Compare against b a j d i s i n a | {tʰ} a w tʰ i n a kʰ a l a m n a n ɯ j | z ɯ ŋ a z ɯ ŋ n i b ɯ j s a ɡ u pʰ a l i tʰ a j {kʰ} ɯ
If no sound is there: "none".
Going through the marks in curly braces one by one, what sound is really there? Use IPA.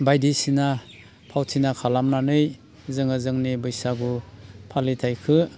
pʰ, kʰ

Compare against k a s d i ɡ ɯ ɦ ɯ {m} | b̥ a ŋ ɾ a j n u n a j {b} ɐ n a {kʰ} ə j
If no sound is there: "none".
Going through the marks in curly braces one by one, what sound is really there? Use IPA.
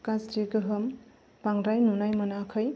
m, m, kʰ

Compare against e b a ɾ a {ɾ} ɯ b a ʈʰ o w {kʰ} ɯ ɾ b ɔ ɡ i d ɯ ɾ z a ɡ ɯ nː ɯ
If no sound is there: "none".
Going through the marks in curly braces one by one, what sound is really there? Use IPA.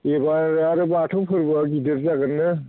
ɾ, pʰ

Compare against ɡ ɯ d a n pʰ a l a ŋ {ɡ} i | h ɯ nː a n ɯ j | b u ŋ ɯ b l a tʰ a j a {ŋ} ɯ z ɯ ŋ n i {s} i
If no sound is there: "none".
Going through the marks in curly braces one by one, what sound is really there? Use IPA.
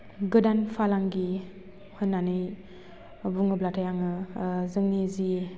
ɡ, ŋ, z

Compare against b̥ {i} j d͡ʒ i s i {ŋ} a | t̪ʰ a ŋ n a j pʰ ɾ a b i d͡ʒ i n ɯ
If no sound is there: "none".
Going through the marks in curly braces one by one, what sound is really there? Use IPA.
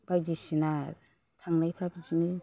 a, n

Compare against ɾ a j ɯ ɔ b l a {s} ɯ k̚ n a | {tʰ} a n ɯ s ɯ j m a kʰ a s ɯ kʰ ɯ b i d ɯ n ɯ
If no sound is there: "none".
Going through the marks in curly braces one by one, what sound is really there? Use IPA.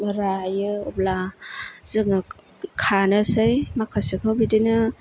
z, kʰ

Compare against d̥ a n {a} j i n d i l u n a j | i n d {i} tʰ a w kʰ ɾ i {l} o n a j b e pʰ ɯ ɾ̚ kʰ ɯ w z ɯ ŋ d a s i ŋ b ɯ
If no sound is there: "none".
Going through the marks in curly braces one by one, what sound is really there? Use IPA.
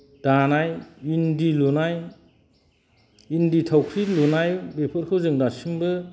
a, i, l

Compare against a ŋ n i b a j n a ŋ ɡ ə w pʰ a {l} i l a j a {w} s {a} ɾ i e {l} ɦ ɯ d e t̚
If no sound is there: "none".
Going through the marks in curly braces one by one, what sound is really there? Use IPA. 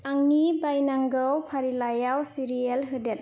ɾ, w, i, l

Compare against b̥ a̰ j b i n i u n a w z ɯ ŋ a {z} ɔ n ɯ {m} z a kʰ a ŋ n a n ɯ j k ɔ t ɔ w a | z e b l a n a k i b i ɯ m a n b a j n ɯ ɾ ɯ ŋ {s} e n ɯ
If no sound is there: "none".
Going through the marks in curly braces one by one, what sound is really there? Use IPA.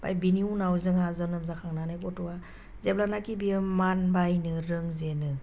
z, m, z

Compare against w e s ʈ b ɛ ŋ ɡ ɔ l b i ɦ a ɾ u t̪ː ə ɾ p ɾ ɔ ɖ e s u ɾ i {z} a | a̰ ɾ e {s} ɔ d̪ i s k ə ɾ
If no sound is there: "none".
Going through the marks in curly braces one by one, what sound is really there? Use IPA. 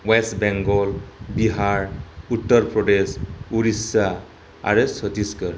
s, s

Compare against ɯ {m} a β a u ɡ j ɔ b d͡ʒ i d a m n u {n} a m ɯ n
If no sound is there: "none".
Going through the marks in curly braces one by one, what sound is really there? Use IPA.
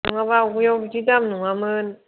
ŋ, ŋ

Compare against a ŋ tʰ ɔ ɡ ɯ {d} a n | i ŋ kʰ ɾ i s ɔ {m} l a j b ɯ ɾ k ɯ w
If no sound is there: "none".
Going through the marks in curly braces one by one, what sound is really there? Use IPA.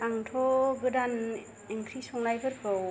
d, ŋ

